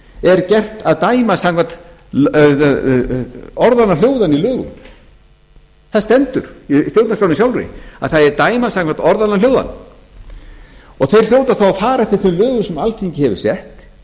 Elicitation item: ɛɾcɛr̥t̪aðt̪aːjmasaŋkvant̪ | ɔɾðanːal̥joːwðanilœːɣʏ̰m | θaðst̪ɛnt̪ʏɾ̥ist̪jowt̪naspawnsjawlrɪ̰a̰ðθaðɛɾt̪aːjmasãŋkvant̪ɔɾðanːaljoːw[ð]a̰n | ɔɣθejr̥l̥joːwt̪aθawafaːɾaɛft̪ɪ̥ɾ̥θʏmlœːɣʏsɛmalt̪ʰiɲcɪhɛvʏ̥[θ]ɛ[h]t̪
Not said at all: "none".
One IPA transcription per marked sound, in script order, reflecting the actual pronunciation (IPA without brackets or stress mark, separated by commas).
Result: ð, s, h